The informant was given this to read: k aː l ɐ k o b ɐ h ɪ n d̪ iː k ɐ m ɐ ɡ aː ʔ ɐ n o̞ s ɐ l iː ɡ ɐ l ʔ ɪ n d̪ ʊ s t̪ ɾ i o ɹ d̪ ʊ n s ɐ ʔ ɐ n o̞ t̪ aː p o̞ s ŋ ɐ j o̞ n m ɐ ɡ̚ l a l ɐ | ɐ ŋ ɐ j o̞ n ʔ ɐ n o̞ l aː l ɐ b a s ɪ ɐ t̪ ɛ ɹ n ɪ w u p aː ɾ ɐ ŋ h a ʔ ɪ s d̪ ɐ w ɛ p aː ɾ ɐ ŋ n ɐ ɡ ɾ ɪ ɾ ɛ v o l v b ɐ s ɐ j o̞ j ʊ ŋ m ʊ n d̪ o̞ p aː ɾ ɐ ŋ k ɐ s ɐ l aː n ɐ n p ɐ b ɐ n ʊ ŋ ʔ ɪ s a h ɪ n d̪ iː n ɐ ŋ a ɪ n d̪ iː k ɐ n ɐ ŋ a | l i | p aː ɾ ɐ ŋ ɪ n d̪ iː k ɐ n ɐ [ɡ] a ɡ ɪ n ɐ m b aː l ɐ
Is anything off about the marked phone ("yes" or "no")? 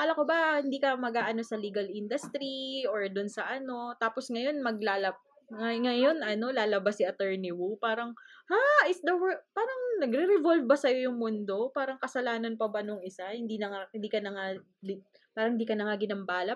yes